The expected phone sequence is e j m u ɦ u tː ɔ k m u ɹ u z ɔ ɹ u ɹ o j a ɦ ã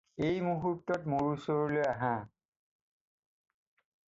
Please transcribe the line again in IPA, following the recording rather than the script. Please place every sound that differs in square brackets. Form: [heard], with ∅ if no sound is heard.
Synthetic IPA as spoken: e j m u ɦ u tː ɔ [t] m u ɹ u [s] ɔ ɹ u [l] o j a ɦ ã